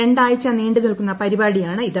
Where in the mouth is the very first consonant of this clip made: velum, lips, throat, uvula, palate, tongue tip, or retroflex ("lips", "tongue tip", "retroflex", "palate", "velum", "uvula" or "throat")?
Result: retroflex